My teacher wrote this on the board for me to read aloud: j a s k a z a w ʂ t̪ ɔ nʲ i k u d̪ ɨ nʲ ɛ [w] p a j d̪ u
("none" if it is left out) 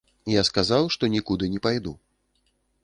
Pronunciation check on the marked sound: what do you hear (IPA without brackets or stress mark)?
none